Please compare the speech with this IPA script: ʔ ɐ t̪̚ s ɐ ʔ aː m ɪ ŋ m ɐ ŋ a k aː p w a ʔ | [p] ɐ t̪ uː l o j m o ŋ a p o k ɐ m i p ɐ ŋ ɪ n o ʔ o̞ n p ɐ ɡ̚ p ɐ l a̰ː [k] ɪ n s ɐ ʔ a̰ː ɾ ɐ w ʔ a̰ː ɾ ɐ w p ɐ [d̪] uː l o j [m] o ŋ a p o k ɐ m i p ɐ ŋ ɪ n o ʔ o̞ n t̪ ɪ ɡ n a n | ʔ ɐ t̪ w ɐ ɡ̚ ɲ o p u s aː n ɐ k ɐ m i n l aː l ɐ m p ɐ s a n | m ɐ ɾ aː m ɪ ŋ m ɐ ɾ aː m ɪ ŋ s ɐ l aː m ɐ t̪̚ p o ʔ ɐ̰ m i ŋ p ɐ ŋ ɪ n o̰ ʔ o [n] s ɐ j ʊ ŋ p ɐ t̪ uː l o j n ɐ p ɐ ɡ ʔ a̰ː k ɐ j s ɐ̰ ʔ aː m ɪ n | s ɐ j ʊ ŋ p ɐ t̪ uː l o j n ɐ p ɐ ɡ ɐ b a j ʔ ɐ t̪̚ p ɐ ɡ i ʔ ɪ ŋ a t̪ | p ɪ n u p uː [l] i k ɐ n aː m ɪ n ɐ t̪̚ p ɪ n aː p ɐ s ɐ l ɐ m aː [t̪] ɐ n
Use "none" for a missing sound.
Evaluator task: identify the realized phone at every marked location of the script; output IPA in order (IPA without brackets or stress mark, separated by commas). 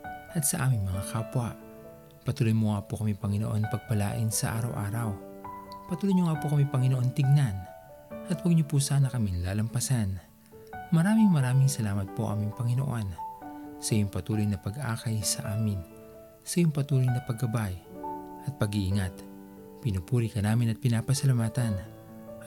p, ʔ, t̪, ɲ, n, ɾ, t̪